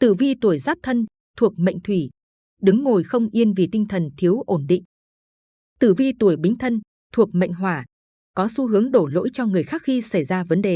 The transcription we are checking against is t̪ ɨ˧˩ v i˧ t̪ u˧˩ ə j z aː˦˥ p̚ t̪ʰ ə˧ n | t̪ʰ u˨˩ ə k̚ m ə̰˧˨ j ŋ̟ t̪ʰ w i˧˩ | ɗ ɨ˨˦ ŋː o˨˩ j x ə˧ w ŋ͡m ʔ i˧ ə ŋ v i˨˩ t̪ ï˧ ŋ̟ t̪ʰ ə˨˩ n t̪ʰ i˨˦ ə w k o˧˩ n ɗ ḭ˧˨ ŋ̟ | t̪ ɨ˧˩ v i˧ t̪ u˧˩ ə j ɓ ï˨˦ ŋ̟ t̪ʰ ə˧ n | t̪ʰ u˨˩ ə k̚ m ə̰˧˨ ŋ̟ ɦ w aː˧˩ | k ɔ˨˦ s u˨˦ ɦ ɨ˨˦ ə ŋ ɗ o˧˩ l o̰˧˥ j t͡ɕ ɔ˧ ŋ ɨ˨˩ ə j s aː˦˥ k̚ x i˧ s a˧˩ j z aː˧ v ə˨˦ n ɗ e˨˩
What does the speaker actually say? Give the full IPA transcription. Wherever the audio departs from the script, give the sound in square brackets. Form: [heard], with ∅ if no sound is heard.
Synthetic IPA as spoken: t̪ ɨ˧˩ v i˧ t̪ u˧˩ ə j z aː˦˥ p̚ t̪ʰ ə˧ n | t̪ʰ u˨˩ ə k̚ m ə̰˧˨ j ŋ̟ t̪ʰ w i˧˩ | ɗ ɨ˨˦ ŋː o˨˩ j x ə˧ w ŋ͡m ʔ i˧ ə [n] v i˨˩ t̪ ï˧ ŋ̟ t̪ʰ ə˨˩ n t̪ʰ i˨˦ ə w [ʔ] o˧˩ n ɗ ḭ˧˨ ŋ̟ | t̪ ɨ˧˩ v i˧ t̪ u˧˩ ə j ɓ ï˨˦ ŋ̟ t̪ʰ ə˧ n | t̪ʰ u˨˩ ə k̚ m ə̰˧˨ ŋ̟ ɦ w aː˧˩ | k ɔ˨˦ s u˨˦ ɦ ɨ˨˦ ə ŋ ɗ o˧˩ l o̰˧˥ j t͡ɕ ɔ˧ ŋ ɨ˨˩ ə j [x] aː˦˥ k̚ x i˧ s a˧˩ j z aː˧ v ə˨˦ n ɗ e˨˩